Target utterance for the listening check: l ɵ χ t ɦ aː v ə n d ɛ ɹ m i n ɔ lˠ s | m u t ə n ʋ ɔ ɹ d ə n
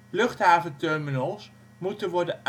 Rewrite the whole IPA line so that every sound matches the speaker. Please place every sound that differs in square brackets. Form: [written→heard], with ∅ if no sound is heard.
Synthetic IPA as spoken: l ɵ χ t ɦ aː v ə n [d→t] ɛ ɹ m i n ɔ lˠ s | m u t ə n ʋ ɔ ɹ d ə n